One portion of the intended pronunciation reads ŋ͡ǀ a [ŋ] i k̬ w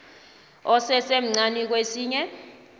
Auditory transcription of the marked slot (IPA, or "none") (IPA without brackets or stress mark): n